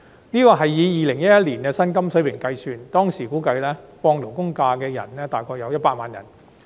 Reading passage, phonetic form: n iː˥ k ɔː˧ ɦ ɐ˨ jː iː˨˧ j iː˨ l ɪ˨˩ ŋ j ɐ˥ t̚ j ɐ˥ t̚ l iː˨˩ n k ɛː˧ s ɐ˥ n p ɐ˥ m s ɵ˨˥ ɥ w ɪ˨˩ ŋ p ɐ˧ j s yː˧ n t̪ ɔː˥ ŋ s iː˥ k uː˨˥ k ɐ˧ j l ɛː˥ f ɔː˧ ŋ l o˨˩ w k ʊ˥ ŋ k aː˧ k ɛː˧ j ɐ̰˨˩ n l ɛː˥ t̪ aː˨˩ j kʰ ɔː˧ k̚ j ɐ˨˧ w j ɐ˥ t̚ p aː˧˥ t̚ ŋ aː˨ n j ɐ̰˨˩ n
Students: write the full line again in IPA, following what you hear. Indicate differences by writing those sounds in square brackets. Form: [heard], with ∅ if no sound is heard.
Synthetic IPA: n iː˥ k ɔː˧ ɦ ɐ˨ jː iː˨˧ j iː˨ l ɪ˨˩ ŋ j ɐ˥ t̚ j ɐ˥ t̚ l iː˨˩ n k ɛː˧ s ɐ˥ n [k] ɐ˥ m s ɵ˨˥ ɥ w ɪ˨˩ ŋ [k] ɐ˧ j s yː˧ n t̪ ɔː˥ ŋ s [iː˨˩] k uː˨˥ k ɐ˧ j l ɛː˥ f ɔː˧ ŋ l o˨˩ w k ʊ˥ ŋ k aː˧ k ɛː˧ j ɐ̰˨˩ n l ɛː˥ t̪ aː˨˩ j kʰ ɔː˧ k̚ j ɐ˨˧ w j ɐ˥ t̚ p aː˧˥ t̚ [m] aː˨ n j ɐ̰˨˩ n

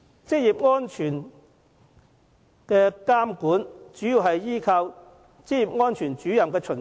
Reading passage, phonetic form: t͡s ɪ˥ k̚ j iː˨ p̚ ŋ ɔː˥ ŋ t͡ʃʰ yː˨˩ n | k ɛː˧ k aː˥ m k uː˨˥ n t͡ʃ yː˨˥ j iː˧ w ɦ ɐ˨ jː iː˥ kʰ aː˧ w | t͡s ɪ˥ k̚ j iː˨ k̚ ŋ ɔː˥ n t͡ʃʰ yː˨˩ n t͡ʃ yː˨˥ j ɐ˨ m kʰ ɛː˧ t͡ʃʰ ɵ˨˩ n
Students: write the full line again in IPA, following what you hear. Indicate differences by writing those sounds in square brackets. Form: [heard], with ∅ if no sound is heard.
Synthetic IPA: t͡s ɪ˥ k̚ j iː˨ p̚ ŋ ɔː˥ [n] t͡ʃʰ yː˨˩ n | k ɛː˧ k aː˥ m k uː˨˥ n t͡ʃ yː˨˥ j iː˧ w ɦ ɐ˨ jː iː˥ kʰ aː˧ w | t͡s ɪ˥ k̚ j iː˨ [p̚] ŋ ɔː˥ n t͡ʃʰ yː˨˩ n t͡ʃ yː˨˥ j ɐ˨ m [k] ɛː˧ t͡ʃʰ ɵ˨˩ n

